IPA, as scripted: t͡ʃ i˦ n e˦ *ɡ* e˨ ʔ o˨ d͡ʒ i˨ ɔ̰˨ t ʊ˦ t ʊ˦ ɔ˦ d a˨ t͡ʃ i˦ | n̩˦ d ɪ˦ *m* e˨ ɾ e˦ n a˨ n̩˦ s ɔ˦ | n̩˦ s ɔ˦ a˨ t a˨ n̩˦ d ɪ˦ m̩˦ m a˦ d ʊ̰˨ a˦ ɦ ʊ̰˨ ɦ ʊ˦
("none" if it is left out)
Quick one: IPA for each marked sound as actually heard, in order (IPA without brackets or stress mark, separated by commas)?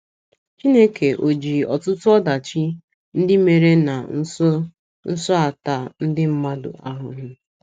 k, m